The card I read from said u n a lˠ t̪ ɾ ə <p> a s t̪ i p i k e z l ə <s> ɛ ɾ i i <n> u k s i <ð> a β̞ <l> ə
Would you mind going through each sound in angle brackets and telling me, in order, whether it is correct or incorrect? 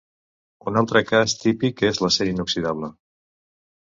incorrect: k, correct, correct, correct, correct

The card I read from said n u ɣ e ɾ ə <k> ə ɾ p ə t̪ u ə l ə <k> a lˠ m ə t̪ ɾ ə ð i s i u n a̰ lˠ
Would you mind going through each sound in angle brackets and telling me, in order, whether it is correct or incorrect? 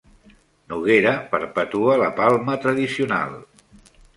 incorrect: p, incorrect: p

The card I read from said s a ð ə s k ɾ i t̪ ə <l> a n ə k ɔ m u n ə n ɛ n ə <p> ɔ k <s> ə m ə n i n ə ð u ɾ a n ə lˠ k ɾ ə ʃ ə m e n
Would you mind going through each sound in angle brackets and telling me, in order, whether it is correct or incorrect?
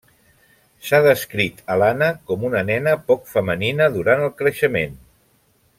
correct, correct, incorrect: f

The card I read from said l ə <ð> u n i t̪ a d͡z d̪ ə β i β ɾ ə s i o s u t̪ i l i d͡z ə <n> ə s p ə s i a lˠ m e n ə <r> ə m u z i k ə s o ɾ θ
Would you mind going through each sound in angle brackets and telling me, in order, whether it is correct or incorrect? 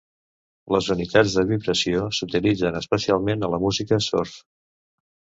incorrect: z, correct, incorrect: l

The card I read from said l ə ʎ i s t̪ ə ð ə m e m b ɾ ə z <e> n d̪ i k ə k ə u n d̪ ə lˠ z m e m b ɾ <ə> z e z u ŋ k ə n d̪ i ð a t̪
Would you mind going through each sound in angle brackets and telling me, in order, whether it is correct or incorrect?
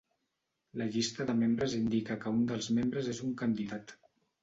incorrect: i, correct

